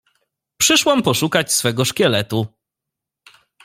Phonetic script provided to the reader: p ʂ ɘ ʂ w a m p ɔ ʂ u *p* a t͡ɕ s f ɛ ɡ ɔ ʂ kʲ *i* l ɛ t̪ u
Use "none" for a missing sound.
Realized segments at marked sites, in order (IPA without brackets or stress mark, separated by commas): k, ɛ